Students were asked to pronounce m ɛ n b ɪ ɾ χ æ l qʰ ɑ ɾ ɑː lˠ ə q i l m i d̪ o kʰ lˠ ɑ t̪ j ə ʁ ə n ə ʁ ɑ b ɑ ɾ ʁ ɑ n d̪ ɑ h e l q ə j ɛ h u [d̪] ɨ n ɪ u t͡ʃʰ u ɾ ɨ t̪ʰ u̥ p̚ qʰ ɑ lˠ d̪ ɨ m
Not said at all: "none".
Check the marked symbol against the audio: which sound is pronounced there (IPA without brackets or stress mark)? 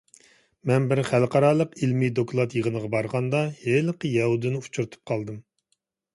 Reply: d̪